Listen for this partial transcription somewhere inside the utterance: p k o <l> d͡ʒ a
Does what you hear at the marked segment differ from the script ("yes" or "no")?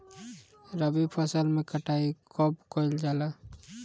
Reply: no